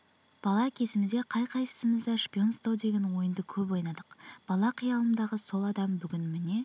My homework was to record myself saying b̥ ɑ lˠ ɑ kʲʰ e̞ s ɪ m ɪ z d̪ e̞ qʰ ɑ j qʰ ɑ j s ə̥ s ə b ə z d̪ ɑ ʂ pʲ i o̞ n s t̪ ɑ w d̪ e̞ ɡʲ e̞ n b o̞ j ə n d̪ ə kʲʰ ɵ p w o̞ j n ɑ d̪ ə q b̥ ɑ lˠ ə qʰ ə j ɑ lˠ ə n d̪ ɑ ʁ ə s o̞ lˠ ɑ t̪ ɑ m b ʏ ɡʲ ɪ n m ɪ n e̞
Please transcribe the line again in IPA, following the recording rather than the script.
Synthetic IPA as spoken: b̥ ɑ lˠ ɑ kʲʰ e̞ s ɪ m ɪ z d̪ e̞ qʰ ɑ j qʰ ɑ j s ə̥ s ə m ə z d̪ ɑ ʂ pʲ i o̞ n s t̪ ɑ w d̪ e̞ ɡʲ e̞ n w o̞ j ə n d̪ ə kʲʰ ɵ p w o̞ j n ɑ d̪ ə q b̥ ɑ lˠ ɑ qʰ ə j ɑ lˠ ə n d̪ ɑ ʁ ə s o̞ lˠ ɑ d̪ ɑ m b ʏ ɡʲ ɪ n m ɪ n e̞